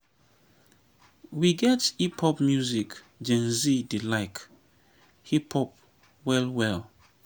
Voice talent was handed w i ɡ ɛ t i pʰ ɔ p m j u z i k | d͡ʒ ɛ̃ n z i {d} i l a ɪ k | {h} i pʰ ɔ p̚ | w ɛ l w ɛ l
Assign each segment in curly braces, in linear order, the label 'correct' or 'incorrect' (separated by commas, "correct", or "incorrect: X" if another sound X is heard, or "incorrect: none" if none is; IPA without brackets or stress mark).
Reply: correct, correct